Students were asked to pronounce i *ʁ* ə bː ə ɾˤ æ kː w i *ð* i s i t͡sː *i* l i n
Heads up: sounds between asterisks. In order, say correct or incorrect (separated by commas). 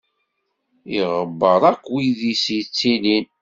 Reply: correct, correct, correct